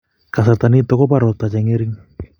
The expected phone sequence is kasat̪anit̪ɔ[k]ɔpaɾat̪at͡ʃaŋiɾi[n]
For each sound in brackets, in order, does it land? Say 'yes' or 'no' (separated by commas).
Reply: yes, no